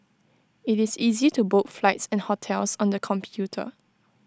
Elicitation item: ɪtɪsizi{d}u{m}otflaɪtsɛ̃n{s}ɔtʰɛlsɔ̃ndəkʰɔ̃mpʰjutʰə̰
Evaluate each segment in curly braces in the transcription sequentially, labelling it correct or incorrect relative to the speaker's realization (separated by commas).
incorrect, incorrect, incorrect